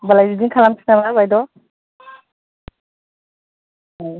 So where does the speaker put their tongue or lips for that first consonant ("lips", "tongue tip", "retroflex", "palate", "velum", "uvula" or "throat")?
lips